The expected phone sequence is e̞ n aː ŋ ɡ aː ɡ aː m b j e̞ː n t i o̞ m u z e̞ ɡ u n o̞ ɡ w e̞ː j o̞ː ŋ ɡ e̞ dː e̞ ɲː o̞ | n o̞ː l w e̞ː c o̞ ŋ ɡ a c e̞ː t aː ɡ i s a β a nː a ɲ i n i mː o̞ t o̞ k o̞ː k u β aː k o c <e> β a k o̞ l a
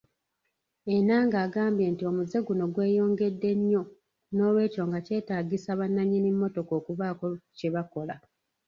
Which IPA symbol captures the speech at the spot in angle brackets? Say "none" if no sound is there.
e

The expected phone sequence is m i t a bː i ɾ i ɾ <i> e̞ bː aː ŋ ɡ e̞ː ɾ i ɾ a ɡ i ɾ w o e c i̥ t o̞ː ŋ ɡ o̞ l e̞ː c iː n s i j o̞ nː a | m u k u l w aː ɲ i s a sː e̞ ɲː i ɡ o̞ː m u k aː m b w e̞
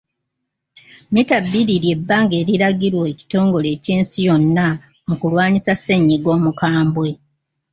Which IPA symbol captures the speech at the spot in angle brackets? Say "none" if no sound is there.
j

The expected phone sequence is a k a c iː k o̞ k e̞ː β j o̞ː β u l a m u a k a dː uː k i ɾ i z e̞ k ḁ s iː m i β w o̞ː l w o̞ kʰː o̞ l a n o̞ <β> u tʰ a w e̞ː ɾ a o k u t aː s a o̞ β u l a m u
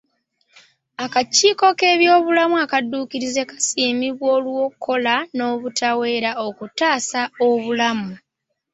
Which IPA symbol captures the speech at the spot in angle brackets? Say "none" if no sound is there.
β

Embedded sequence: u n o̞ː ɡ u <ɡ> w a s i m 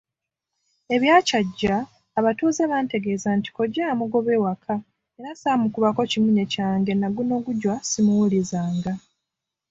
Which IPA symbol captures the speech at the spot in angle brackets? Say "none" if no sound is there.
ɟ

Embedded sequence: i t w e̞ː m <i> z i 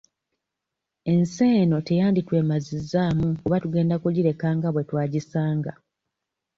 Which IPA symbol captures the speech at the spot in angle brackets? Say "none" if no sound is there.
a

